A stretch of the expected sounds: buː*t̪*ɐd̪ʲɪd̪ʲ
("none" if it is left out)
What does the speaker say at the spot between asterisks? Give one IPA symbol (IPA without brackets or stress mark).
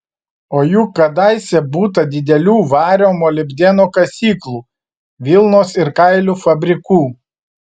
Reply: t̪